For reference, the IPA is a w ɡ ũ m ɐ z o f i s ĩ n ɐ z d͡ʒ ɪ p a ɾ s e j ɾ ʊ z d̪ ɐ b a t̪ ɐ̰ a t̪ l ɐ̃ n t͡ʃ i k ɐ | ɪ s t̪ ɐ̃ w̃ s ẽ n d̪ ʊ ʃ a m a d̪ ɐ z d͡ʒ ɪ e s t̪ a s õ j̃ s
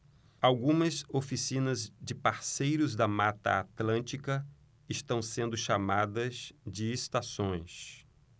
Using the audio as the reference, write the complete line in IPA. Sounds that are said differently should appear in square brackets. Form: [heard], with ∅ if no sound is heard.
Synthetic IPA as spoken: a w ɡ ũ m ɐ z o f i s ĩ n ɐ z d͡ʒ ɪ p a ɾ s e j ɾ ʊ z d̪ ɐ [m] a t̪ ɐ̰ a t̪ l ɐ̃ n t͡ʃ i k ɐ | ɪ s t̪ ɐ̃ w̃ s ẽ n d̪ ʊ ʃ a m a d̪ ɐ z d͡ʒ ɪ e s t̪ a s õ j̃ s